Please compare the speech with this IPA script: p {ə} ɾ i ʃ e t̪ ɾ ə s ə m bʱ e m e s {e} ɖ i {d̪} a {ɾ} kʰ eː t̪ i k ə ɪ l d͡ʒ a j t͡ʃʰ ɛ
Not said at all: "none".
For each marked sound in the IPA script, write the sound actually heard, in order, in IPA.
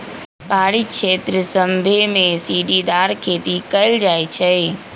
a, i, d̪, ɾ

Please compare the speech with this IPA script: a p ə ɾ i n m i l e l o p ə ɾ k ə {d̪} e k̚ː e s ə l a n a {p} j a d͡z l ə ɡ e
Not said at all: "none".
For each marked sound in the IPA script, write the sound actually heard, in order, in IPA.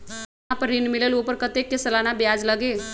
t̪, b

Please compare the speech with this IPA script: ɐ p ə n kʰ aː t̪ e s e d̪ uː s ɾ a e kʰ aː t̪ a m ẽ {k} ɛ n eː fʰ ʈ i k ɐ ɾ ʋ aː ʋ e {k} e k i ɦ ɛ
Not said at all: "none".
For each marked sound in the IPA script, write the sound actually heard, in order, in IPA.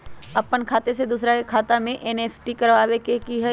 ʔ, k

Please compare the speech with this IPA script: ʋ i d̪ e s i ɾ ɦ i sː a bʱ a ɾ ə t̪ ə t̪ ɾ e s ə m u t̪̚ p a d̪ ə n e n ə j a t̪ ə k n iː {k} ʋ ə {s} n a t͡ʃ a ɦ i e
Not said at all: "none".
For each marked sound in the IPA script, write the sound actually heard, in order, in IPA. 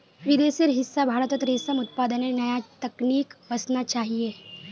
k, s

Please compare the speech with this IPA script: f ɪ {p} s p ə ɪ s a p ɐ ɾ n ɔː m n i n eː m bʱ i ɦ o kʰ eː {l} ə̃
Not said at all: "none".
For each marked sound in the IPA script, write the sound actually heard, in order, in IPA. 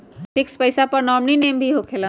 k, l

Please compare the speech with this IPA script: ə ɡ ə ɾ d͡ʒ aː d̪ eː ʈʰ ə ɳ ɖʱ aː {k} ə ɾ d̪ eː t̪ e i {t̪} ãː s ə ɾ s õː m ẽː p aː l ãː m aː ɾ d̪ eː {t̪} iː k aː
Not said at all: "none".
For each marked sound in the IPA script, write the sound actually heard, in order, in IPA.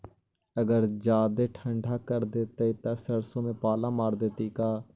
k, t̪, t̪

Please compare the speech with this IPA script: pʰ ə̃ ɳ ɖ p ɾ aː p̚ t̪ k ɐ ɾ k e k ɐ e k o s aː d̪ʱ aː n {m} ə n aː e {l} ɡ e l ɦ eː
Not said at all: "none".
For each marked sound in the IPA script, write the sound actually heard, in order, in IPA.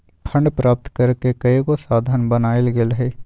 b, l

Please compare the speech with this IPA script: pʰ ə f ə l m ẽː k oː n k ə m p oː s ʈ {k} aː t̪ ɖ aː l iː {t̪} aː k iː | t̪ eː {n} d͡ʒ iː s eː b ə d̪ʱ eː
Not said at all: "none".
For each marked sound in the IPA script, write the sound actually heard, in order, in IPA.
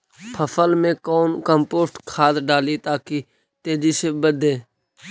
kʰ, t̪, none

